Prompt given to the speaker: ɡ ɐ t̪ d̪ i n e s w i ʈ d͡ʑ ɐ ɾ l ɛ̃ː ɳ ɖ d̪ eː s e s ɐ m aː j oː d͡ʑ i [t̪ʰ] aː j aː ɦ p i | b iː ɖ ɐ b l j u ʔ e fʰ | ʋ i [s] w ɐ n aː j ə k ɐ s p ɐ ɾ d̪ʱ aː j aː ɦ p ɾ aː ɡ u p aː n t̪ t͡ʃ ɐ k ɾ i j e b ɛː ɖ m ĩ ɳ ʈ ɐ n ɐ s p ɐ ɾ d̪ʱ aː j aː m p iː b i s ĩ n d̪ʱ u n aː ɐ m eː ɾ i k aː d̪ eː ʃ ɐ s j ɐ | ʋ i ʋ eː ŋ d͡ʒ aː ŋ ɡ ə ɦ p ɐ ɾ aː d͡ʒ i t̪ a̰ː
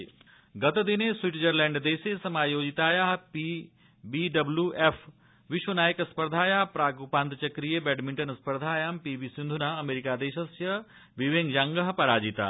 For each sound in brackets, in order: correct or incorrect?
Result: incorrect: t̪, incorrect: ʃ

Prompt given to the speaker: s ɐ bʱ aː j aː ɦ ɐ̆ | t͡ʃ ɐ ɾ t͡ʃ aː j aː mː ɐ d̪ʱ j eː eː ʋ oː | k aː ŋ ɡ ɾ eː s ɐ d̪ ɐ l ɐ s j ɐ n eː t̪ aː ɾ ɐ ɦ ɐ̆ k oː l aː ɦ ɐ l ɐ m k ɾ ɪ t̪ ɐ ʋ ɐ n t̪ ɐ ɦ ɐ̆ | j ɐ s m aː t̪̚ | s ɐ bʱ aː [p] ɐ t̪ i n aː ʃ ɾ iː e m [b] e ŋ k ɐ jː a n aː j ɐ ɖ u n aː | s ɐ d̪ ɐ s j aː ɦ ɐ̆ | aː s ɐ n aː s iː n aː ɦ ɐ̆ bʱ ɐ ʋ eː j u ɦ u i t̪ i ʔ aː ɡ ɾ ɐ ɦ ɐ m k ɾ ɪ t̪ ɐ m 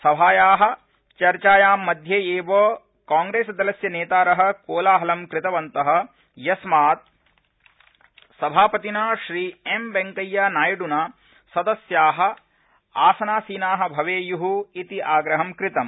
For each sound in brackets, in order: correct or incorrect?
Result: correct, correct

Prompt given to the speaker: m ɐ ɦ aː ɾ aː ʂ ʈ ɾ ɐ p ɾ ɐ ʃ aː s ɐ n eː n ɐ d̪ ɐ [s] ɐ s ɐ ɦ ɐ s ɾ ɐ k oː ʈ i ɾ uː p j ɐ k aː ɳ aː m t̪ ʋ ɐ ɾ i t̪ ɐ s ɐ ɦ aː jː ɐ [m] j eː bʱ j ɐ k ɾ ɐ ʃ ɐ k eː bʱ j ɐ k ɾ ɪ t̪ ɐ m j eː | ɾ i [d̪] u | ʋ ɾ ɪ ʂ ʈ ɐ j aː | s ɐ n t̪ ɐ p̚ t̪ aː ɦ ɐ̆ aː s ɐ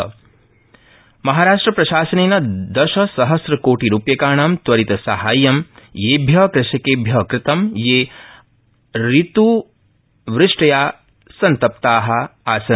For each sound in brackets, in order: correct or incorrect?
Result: incorrect: ʃ, correct, incorrect: t̪

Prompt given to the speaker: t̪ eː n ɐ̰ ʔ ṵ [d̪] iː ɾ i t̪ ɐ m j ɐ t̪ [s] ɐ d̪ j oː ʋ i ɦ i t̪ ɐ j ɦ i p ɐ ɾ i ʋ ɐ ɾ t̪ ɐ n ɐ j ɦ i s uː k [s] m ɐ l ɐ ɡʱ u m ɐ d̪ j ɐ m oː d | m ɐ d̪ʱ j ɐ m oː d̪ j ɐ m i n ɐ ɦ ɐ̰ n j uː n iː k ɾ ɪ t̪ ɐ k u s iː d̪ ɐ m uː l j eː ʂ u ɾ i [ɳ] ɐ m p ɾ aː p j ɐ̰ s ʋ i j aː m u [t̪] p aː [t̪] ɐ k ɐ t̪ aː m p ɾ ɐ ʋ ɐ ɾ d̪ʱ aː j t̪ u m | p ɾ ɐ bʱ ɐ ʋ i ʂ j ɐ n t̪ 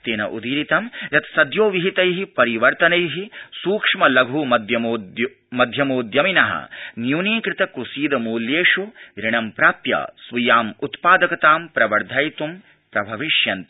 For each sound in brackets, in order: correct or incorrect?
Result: correct, correct, incorrect: ʂ, correct, correct, incorrect: d̪

